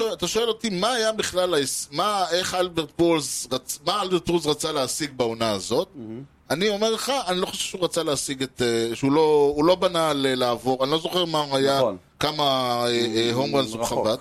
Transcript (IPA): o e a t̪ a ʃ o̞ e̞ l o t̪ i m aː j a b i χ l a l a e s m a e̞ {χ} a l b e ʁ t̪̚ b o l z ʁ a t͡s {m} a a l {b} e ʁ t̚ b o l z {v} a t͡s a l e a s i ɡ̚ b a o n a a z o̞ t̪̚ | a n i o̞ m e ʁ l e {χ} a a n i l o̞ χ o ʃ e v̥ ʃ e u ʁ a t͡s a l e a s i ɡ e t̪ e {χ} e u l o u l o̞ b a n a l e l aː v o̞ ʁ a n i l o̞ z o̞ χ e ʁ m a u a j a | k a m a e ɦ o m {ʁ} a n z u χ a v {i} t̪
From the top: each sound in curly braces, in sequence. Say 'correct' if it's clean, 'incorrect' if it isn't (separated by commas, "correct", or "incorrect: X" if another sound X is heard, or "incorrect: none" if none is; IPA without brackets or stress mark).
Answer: correct, correct, correct, incorrect: ʁ, correct, incorrect: ʃ, correct, incorrect: a